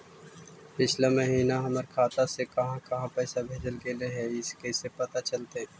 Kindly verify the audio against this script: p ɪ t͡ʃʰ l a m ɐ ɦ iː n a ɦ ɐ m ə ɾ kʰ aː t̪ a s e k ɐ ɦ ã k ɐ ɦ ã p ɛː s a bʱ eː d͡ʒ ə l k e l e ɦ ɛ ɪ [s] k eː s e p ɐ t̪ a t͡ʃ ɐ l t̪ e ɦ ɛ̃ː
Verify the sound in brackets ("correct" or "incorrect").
correct